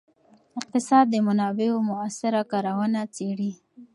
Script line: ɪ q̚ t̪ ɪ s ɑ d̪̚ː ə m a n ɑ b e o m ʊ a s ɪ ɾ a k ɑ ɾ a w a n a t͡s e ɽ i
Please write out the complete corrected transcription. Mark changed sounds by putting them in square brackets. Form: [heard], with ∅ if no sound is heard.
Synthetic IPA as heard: ɪ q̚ t̪ ɪ s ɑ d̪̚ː ə m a n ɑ b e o m ʊ a s ɪ ɾ a k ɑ ɾ a w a n a t͡s e ɽ i